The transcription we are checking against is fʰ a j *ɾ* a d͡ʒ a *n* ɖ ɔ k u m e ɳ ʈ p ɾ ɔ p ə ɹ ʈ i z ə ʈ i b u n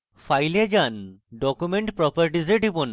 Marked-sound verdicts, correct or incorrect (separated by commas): incorrect, correct